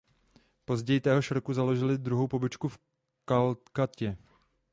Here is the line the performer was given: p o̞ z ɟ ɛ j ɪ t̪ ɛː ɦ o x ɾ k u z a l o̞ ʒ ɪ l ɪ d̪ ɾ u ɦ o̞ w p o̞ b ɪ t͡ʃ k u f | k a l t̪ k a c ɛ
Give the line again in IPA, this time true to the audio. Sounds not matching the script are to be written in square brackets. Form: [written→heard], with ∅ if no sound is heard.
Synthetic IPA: p o̞ z ɟ ɛ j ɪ t̪ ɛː ɦ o [x→ʃ] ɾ k u z a l o̞ ʒ ɪ l ɪ d̪ ɾ u ɦ o̞ w p o̞ b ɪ t͡ʃ k u f | k a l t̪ k a c ɛ